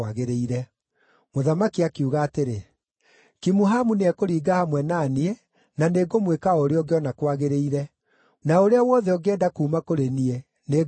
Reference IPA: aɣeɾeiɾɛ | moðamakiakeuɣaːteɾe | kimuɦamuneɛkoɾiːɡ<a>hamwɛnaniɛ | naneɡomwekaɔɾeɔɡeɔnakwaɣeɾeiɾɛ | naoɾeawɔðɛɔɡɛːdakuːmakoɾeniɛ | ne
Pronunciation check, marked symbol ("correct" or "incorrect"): correct